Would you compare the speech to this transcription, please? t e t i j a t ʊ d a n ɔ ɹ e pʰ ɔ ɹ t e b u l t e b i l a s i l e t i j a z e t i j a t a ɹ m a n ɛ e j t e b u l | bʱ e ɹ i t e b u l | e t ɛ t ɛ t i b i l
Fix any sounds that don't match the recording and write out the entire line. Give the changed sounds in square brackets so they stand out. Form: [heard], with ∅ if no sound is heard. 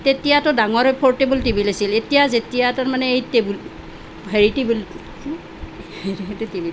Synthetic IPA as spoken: t e t i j a t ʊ d a [ŋ] ɔ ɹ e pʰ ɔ ɹ t e b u l t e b i l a s i l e t i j a z e t i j a t a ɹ m a n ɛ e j t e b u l | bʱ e ɹ i t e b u l | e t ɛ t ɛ t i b i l